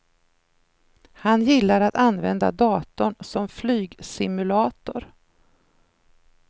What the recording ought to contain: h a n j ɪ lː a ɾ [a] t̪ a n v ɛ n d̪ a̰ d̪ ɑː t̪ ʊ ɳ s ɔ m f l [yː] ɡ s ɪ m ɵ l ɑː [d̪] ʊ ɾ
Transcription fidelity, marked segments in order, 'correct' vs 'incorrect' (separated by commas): correct, correct, incorrect